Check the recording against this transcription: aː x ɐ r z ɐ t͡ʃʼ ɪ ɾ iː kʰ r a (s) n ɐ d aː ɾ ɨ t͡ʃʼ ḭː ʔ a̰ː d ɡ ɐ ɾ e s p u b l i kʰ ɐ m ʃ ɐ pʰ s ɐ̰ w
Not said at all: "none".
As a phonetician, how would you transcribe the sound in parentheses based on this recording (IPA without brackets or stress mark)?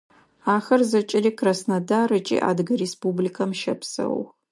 s